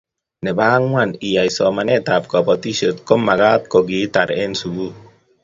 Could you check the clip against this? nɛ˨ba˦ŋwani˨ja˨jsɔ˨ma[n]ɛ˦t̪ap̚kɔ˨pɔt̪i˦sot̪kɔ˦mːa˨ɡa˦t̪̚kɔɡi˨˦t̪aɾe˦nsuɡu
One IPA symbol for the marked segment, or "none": n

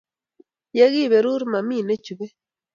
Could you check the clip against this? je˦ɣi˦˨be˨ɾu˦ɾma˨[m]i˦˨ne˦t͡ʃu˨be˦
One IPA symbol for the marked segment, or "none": m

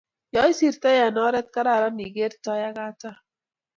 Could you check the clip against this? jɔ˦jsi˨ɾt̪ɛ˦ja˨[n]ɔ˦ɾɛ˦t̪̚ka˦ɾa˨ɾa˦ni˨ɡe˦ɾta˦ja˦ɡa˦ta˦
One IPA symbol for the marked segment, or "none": n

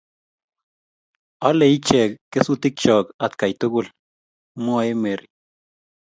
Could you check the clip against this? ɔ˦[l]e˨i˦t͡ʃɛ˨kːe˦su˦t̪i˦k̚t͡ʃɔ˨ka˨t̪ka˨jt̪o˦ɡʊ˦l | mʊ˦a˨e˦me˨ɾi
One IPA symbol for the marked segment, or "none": l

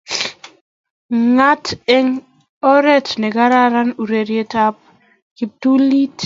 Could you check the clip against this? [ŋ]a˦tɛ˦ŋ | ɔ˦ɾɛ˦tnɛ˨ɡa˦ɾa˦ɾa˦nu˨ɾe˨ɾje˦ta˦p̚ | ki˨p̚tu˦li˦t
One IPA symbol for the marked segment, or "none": ŋ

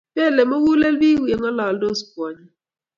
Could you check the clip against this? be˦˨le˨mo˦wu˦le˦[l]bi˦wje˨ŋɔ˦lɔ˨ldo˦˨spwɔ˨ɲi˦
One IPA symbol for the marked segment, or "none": l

